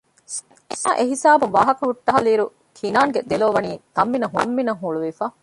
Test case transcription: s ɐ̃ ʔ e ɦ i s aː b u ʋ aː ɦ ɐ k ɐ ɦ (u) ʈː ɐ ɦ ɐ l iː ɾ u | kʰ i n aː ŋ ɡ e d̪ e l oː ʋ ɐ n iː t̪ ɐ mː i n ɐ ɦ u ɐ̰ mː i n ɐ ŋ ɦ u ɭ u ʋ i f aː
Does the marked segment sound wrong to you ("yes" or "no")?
no